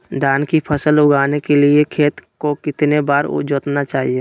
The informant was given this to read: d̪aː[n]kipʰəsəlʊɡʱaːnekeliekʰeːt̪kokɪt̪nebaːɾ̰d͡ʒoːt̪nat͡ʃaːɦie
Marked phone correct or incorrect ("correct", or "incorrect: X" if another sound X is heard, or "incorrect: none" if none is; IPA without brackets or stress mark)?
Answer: correct